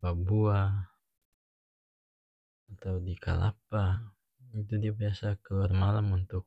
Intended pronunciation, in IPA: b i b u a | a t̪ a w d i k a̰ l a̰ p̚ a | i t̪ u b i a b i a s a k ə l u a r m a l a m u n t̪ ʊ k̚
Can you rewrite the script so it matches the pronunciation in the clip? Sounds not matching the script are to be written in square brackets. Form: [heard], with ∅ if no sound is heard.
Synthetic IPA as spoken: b [a] b u a | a t̪ a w d i k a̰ l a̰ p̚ a | i t̪ u [d] i a b i a s a k ə l u a r m a l a m u n t̪ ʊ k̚